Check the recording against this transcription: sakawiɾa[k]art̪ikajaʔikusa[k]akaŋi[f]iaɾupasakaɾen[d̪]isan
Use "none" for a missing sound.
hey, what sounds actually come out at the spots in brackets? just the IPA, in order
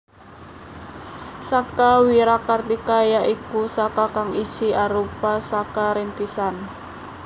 k, k, s, t̪

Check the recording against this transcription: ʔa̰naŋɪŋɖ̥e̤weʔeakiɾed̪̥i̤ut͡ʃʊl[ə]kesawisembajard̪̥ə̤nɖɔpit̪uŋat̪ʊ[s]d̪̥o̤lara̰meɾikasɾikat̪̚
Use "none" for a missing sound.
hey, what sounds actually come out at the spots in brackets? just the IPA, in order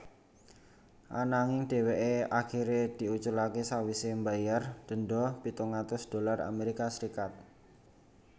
a, s

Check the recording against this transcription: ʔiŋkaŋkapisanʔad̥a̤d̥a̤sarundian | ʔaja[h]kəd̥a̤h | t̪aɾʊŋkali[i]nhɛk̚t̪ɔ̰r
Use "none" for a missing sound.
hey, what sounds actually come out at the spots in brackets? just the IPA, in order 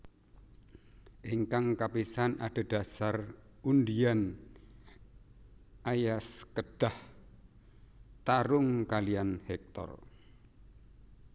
s, a

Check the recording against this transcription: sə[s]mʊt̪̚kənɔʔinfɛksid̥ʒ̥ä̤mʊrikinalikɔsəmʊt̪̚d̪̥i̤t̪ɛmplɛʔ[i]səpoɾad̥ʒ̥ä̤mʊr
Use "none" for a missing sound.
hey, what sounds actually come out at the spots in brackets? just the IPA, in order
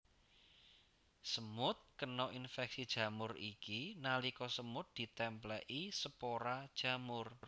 none, i

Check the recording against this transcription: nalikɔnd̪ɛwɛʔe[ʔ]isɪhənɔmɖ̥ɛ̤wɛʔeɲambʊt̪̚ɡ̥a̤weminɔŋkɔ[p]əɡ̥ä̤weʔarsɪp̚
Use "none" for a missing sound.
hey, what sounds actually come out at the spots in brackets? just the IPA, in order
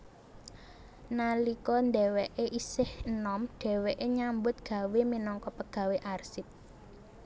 ʔ, p

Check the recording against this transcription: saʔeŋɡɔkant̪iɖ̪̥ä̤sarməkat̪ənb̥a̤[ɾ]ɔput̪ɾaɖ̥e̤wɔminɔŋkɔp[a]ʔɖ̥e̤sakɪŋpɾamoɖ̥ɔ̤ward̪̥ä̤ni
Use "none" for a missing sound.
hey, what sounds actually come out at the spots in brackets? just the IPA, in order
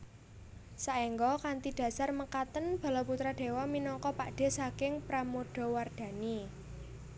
l, a

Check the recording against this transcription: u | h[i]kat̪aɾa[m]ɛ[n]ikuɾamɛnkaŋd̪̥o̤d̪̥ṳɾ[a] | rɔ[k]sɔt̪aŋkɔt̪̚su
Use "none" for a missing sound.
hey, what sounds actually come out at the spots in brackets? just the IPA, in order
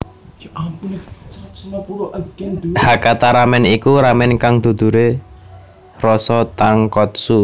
a, m, n, e, none

